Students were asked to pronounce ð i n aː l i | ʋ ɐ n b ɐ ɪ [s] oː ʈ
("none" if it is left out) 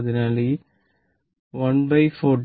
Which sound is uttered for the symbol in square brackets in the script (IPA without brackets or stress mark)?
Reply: f